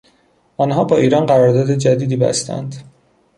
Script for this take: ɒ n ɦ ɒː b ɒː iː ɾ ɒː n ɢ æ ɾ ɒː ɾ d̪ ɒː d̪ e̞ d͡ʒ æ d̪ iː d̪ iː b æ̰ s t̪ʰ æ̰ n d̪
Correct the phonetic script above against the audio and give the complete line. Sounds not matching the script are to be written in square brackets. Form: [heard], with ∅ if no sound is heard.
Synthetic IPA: ɒ n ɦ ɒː b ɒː iː ɾ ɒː n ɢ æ ɾ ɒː ɾ d̪ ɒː d̪ e̞ d͡ʒ æ d̪ iː d̪ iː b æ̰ s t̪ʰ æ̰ n d̪